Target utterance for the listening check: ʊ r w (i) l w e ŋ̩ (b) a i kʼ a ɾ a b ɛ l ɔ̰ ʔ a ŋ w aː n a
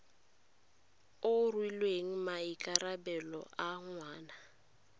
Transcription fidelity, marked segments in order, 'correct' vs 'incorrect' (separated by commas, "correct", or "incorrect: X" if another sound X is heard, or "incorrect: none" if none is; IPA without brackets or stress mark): correct, incorrect: m